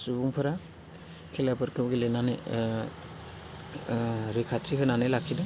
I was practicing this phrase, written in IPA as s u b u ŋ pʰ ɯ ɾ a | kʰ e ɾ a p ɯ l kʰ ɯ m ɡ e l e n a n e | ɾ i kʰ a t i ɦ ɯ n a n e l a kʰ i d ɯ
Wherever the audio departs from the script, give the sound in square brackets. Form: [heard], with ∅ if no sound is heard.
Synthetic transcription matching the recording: s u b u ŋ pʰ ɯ ɾ a | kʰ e [l] a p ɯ [ɾ] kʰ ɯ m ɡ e l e n a n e | ɾ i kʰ a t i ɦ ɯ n a n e l a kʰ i d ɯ